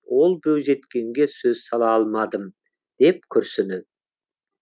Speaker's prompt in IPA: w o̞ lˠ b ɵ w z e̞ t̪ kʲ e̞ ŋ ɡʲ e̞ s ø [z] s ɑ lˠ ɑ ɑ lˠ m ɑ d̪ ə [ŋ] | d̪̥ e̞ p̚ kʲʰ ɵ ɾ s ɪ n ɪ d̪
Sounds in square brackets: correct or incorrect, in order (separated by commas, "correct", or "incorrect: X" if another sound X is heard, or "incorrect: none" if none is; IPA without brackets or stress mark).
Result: correct, incorrect: m